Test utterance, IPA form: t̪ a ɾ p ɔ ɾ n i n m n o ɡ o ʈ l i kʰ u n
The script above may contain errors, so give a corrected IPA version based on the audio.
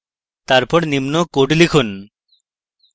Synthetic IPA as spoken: t̪ a ɾ p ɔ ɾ n i m n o k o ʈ l i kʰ u n